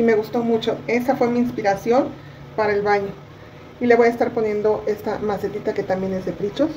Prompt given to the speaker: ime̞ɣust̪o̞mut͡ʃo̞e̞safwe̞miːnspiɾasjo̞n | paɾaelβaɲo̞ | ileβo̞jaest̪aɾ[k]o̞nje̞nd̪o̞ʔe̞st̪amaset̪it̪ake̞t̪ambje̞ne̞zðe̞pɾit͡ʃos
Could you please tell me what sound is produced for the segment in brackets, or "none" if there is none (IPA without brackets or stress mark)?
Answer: p